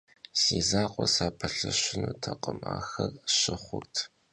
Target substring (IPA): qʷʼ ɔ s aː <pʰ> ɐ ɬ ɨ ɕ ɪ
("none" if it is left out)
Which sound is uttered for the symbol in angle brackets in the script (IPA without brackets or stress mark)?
pʰ